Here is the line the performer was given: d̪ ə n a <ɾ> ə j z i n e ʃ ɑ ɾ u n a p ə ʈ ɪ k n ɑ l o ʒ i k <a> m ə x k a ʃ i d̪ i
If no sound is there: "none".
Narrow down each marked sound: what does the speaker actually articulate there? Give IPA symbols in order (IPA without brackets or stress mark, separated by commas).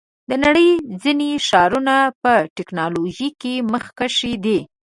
ɽ, e